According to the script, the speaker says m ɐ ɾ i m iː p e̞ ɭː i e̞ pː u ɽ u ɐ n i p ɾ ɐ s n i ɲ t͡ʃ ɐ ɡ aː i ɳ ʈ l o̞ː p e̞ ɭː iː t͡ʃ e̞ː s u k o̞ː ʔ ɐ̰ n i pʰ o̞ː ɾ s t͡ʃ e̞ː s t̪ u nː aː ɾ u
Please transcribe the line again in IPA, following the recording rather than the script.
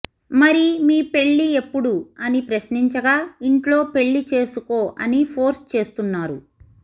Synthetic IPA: m ɐ ɾ i m iː p e̞ ɭː i e̞ pː u ɽ u ɐ n i p ɾ ɐ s n i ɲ t͡ʃ ɐ ɡ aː i ɳ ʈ l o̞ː p e̞ ɭː i t͡ʃ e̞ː s u k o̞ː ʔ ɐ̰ n i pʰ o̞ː ɾ s t͡ʃ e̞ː s t̪ u nː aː ɾ u